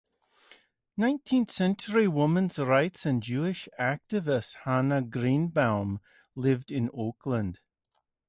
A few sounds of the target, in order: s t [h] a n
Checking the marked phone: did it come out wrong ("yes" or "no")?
no